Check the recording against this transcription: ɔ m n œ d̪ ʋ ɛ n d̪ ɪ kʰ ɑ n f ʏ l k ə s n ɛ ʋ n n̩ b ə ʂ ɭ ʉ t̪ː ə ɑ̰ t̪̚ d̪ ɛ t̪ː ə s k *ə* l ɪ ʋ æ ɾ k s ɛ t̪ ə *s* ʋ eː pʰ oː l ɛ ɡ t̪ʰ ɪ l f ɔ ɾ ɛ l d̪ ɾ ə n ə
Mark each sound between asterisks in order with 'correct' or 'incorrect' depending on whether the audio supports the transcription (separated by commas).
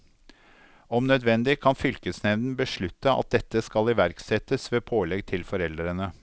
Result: incorrect, correct